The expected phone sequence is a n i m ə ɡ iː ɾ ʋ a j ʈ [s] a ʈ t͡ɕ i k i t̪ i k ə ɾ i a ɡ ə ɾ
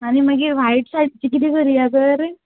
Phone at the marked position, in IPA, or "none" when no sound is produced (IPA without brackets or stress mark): s